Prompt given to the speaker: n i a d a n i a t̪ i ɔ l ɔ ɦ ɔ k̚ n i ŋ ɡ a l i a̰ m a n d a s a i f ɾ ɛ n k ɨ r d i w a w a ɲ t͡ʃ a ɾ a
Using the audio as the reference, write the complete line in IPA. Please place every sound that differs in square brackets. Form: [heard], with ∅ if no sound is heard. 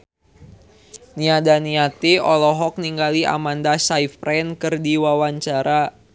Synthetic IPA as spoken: n i a d a n i a t̪ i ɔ l ɔ ɦ ɔ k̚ n i ŋ ɡ a l i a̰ m a n d a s a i f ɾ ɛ n k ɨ r d i w a w a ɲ t͡ʃ a ɾ a